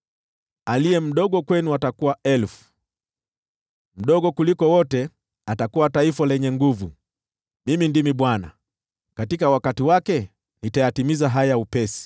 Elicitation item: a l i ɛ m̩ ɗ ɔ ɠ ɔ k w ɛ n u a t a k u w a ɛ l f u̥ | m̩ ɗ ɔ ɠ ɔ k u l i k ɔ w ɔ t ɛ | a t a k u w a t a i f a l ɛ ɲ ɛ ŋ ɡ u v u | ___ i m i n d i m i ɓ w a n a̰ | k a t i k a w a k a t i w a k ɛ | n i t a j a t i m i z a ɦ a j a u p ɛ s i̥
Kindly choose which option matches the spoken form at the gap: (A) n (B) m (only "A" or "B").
B